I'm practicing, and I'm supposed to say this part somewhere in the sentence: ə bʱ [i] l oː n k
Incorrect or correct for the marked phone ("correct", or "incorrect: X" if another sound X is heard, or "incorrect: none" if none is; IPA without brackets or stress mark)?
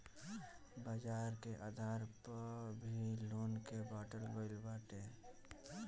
correct